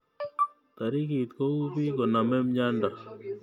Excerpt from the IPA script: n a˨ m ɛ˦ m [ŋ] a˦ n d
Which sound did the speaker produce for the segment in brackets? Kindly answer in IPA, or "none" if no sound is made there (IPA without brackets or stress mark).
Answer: ɲ